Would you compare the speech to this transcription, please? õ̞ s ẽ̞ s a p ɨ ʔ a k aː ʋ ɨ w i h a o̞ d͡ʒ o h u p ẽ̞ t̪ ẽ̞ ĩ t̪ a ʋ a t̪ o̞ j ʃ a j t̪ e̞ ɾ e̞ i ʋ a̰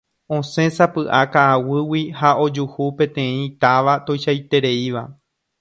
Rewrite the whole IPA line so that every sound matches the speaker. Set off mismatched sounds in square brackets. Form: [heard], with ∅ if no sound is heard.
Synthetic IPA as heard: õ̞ s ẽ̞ s a p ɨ ʔ a k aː [w] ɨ w i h a o̞ d͡ʒ [u] h u p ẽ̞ t̪ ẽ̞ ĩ t̪ a ʋ a t̪ o̞ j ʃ a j t̪ e̞ ɾ e̞ i ʋ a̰